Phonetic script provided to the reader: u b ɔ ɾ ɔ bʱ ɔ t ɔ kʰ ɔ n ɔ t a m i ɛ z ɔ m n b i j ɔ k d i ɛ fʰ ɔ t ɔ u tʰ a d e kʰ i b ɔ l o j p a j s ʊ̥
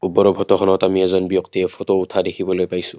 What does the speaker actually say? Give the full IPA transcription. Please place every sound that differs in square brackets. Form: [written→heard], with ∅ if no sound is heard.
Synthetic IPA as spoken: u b ɔ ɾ ɔ bʱ ɔ t ɔ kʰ ɔ n ɔ t a m i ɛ z ɔ [m→∅] n b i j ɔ k [d→t] i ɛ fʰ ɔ t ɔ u tʰ a d e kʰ i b ɔ l o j p a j s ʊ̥